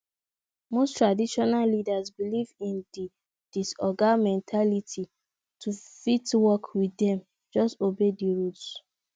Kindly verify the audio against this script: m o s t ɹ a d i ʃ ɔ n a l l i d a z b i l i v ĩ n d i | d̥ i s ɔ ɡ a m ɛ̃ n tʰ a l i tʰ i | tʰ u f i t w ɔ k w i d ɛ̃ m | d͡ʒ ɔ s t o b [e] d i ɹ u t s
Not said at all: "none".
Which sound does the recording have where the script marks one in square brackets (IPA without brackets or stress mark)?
e